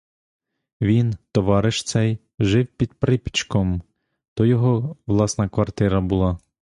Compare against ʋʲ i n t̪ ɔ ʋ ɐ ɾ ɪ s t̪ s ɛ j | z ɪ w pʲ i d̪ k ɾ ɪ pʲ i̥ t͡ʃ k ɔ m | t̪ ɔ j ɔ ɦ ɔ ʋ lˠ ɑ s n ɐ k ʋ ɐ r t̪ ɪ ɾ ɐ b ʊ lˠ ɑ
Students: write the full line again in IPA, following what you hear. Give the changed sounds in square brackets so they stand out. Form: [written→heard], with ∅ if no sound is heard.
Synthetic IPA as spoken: ʋʲ i n t̪ ɔ ʋ [ɐ→ɑ] ɾ ɪ [s→ʃ] t̪ s ɛ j | [z→ʒ] ɪ w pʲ i d̪ [k→p] ɾ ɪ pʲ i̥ t͡ʃ k ɔ m | t̪ ɔ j ɔ ɦ ɔ ʋ lˠ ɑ s n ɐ k ʋ ɐ r t̪ ɪ ɾ ɐ b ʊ lˠ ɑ